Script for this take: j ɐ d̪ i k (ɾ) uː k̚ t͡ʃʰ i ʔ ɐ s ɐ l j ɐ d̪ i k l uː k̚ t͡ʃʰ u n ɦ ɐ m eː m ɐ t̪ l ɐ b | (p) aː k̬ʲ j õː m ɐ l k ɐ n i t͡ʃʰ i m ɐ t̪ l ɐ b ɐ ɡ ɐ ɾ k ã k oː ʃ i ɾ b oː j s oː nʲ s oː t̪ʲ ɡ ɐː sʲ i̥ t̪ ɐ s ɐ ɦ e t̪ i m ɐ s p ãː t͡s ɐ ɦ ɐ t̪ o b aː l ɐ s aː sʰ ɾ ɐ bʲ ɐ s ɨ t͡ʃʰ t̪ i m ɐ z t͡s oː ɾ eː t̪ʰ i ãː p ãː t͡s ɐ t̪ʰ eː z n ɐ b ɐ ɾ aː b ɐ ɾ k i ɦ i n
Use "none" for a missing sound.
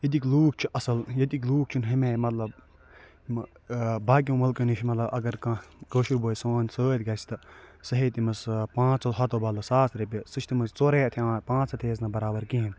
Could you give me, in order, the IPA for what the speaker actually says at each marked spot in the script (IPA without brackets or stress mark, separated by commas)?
l, b